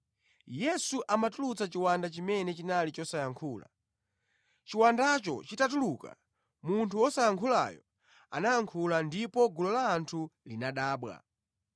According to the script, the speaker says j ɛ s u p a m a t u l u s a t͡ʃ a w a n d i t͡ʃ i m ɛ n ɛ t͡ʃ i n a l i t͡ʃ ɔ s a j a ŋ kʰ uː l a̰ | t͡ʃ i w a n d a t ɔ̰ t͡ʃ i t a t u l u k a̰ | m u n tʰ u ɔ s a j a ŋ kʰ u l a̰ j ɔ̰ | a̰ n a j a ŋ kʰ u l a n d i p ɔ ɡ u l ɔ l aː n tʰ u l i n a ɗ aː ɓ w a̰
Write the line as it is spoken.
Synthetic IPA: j ɛ s u ʔ a m a t u l u t͡s a t͡ʃ i w a n d a t͡ʃ i m ɛ n ɛ t͡ʃ i n a l i t͡ʃ ɔ s a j a ŋ kʰ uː l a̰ | t͡ʃ i w a n d a t͡ʃ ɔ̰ t͡ʃ i t a t u l u k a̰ | m u n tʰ u ɔ s a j a ŋ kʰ u l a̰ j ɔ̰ | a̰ n a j a ŋ kʰ u l a n d i p ɔ ɡ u l ɔ l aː n tʰ u l i n a ɗ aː ɓ w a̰

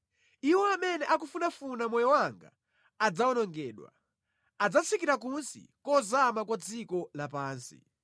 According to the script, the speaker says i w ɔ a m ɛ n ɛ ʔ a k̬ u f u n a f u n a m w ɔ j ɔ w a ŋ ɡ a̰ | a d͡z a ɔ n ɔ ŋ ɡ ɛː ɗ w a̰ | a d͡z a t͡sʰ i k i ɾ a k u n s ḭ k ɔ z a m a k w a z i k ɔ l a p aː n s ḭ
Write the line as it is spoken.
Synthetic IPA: i w ɔ a m ɛ n ɛ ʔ a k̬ u f u n a f u n a m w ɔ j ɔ w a ŋ ɡ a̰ | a d͡z a ɔ n ɔ ŋ ɡ ɛː ɗ w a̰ | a d͡z a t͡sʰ i k i ɾ a k u n s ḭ k ɔ z a m a k w a d͡z i k ɔ l a p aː n s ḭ

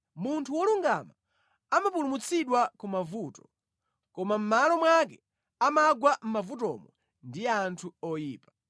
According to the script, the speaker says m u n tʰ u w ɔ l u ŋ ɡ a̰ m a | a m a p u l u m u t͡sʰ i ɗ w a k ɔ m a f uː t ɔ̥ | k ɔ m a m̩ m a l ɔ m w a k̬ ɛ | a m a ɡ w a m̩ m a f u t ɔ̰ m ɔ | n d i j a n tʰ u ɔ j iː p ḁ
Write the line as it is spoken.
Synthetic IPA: m u n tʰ u w ɔ l u ŋ ɡ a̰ m a | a m a p u l u m u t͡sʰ i ɗ w a k u m a v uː t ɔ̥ | k ɔ m a m̩ m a l ɔ m w a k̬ ɛ | a m a ɡ w a m̩ m a v u t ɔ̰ m ɔ | n d i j a n tʰ u ɔ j iː p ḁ

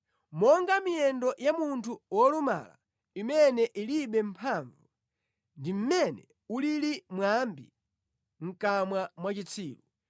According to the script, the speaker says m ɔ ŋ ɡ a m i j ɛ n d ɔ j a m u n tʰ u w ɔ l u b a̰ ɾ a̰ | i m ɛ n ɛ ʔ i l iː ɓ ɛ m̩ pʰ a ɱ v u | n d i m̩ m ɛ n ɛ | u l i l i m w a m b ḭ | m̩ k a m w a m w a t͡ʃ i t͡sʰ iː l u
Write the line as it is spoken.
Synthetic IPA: m ɔ ŋ ɡ a m i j ɛ n d ɔ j a m u n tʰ u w ɔ l u m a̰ l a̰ | i m ɛ n ɛ ʔ i l i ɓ ɛ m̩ pʰ a ɱ v u | n d i m̩ m ɛ n ɛ | u l i l i m w a m b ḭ | ŋ̩ k a m w a m w a t͡ʃ i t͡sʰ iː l u

